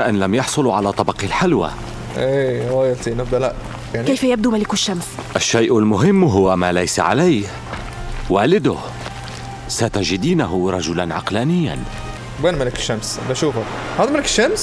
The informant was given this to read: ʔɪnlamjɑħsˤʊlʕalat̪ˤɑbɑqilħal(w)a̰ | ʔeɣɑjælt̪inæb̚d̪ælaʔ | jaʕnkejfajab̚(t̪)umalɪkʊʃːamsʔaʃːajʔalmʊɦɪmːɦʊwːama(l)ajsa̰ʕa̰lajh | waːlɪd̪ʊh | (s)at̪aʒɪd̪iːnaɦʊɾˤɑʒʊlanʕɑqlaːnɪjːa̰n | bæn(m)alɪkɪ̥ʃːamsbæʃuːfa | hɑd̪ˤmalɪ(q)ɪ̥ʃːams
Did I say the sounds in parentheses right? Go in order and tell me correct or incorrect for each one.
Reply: correct, incorrect, correct, correct, correct, incorrect

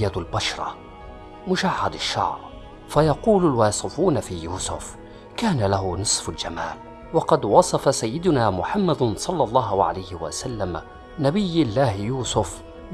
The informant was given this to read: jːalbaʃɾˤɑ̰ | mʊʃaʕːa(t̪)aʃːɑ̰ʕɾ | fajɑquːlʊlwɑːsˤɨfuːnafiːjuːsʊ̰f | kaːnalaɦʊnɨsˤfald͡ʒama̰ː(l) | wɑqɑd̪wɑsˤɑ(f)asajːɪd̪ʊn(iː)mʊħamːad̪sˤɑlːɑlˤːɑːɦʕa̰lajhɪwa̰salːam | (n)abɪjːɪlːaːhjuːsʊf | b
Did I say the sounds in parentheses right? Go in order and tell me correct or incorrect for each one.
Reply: incorrect, correct, correct, incorrect, correct

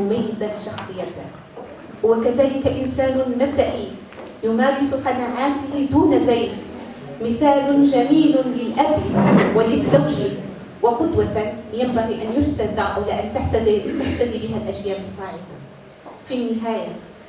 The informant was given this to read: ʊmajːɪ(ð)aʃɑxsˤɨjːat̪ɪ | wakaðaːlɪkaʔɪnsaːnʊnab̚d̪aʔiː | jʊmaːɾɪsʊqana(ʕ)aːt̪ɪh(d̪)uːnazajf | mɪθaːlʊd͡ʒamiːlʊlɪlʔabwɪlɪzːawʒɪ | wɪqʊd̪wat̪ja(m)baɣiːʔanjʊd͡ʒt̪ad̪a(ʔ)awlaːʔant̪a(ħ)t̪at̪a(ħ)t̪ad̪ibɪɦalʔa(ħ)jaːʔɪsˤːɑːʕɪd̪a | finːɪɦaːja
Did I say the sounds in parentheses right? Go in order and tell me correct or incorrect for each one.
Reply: incorrect, correct, correct, correct, correct, correct, correct, incorrect

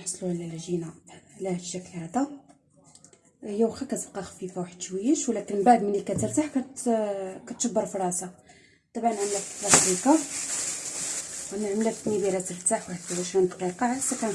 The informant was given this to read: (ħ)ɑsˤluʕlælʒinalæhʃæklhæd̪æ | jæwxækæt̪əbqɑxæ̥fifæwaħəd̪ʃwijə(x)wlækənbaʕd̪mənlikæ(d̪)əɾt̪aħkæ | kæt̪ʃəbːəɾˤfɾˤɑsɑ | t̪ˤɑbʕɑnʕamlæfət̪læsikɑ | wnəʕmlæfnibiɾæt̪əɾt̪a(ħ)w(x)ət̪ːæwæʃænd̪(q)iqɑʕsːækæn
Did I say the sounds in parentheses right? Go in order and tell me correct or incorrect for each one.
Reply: correct, incorrect, incorrect, correct, incorrect, correct

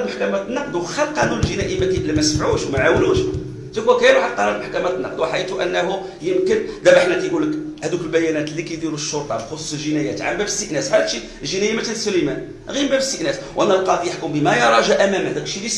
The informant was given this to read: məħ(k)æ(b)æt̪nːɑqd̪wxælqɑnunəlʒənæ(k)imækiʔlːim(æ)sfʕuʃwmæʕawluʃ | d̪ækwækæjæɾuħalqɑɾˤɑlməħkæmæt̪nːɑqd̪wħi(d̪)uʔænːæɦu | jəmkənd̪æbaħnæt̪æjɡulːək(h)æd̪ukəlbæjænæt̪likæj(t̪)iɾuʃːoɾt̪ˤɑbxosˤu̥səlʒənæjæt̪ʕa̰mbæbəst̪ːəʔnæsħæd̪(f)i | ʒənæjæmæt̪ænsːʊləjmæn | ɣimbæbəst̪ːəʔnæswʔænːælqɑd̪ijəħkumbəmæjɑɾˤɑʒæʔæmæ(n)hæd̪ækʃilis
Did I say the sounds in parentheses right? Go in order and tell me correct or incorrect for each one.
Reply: correct, incorrect, incorrect, correct, incorrect, correct, incorrect, incorrect, incorrect

